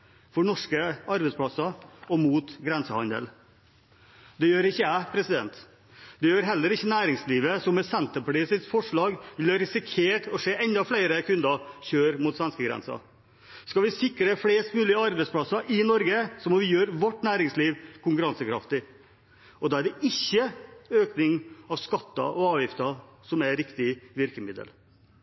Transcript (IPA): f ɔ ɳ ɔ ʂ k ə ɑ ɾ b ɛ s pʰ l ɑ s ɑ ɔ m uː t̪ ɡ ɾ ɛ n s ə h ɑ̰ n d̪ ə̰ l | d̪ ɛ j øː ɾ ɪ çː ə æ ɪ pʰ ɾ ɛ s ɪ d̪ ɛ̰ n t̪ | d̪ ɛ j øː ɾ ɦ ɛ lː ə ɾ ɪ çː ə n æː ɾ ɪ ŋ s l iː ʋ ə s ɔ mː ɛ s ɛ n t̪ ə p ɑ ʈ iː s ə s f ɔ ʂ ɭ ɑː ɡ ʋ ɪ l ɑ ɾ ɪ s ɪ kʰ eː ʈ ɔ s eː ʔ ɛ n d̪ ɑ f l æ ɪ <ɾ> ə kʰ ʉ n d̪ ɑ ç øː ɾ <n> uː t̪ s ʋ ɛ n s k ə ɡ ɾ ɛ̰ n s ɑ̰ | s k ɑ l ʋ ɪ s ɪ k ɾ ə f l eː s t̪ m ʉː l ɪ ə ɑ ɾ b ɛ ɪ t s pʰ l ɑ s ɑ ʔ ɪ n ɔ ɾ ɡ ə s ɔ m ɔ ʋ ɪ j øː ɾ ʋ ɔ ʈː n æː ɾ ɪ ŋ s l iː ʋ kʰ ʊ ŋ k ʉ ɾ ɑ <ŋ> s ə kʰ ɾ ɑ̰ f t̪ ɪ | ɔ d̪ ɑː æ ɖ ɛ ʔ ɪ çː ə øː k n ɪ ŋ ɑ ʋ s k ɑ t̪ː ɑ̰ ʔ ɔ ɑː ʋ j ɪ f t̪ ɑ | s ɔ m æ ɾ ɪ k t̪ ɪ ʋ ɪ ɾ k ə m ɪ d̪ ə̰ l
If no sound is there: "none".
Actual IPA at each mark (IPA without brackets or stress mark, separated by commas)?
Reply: ɾ, m, n